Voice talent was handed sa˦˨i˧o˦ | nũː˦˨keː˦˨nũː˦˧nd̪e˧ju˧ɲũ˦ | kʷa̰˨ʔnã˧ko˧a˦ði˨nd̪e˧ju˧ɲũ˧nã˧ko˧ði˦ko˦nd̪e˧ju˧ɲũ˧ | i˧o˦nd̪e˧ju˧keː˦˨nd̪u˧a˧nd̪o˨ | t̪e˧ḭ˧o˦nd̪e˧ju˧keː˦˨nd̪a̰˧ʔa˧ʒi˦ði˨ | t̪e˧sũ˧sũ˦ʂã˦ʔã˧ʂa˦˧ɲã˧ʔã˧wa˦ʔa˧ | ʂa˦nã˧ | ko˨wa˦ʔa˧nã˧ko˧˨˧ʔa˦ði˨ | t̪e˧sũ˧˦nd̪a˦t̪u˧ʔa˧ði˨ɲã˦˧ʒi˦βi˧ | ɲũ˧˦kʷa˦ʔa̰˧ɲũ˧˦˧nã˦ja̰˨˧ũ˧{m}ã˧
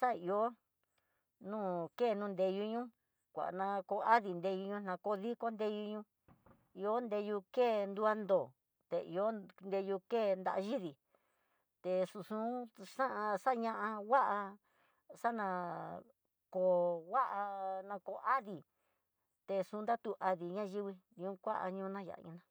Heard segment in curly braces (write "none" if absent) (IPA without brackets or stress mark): n